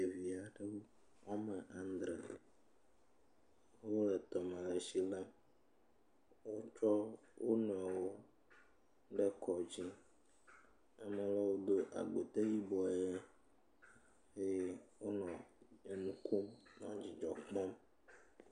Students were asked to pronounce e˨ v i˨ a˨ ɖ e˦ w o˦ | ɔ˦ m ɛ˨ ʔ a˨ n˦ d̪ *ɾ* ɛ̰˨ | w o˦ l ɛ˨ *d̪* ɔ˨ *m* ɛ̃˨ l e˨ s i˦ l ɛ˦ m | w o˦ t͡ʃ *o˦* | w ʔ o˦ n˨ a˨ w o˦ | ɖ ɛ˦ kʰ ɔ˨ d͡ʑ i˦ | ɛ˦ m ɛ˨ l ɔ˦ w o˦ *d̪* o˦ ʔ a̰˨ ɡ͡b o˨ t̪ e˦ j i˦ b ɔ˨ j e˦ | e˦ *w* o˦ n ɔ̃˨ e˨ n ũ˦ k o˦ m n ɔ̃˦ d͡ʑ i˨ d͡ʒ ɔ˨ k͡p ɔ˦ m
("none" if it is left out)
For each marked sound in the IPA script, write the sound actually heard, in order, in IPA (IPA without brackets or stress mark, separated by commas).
ɾ, t̪, m, ɔ˦, d̪, w